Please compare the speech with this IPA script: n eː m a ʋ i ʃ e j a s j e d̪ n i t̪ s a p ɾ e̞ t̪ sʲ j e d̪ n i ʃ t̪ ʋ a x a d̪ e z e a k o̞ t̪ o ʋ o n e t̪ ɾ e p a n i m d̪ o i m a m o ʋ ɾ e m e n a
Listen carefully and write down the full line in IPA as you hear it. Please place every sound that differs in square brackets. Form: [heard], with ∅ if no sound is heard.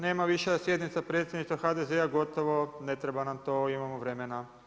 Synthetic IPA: n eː m a ʋ i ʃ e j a s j e d̪ n i t̪ s a p ɾ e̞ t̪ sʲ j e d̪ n i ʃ t̪ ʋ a x a d̪ e z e a [ɡ] o̞ t̪ o ʋ o n e t̪ ɾ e [b] a n [a] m [t̪] o i m a m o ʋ ɾ e m e n a